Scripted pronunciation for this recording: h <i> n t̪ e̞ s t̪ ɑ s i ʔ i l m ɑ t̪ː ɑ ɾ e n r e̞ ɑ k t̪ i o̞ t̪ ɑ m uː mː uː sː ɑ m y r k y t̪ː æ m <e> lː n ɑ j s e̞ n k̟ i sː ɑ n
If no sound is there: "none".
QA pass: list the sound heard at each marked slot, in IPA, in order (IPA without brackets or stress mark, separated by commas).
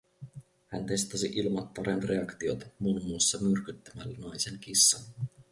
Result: æ, æ